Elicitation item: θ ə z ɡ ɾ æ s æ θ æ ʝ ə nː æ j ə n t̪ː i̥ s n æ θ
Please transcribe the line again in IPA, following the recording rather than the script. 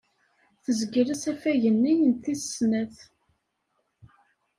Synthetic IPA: θ ə z ɡ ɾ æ s æ f æ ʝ ə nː i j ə n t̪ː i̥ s n æ θ